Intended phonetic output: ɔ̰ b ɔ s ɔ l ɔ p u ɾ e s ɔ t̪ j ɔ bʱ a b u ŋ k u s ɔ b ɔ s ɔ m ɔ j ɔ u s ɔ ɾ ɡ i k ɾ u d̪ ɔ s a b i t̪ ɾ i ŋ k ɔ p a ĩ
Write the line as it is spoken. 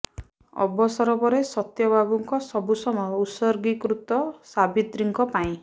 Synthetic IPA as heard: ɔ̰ b ɔ s ɔ ɾ ɔ p ɔ ɾ e s ɔ t̪ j ɔ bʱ a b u ŋ k ɔ s ɔ b u s ɔ m ɔ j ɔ u s ɔ ɾ ɡ i k ɾ u t̪ ɔ s a b i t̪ ɾ i ŋ k ɔ p a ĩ

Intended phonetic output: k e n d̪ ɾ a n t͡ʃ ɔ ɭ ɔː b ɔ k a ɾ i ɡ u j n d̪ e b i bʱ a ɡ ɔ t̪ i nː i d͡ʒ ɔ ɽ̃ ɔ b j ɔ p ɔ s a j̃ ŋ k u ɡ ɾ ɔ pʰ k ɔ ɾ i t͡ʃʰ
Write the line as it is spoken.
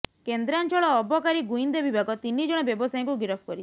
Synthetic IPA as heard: k e n d̪ ɾ a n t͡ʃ ɔ ɭ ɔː b ɔ k a ɾ i ɡ u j n d̪ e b i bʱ a ɡ ɔ t̪ i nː i d͡ʒ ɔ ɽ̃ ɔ b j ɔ b ɔ s a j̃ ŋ k u ɡ ɾ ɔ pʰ k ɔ ɾ i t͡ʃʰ

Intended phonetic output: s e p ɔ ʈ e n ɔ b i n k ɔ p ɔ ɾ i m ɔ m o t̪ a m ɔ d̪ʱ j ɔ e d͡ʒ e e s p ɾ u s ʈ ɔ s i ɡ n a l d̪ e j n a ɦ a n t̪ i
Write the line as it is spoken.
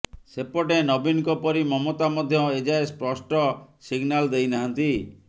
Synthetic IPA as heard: s e p ɔ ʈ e n ɔ b i n k ɔ p ɔ ɾ i m ɔ m o t̪ a m ɔ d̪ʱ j ɔ e d͡ʒ a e s p ɾ ɔ s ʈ ɔ s i ɡ n a l d̪ e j n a ɦ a n t̪ i

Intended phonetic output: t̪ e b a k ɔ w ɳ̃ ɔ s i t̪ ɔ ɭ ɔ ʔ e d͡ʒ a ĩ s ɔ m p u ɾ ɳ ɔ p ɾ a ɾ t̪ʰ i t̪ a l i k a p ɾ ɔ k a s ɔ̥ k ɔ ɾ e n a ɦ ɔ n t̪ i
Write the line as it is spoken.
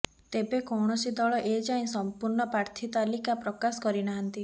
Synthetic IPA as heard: t̪ e b e k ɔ w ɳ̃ ɔ s i d̪ ɔ ɭ ɔ ʔ e d͡ʒ a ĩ s ɔ m p u ɾ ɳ ɔ p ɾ a ɾ t̪ʰ i t̪ a l i k a p ɾ ɔ k a s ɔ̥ k ɔ ɾ i n a ɦ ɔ n t̪ i

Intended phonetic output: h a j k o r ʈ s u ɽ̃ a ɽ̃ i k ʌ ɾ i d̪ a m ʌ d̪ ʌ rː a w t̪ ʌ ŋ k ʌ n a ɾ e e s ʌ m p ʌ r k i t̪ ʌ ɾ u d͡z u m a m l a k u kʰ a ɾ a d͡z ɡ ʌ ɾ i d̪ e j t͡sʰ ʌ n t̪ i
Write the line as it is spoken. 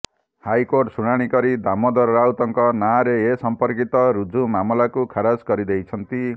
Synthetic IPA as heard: h a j k o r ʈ s u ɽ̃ a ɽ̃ i k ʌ ɾ i d̪ a m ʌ d̪ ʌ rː a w t̪ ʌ ŋ k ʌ n a ɾ e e s ʌ m p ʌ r k i t̪ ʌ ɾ u d͡z u m a m l a k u kʰ a ɾ a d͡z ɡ ʌ ɾ i d̪ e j t͡sʰ ʌ n t̪ i

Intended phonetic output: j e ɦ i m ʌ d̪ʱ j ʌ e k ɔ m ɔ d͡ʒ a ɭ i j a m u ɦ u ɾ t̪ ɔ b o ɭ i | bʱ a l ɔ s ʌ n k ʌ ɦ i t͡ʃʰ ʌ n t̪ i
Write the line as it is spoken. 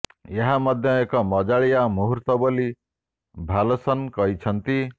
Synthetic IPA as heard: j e ɦ a m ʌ d̪ʱ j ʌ e k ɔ m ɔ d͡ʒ a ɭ i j a m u ɦ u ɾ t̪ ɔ b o l i | bʱ a l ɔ s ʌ n k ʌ ɦ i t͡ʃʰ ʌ n t̪ i

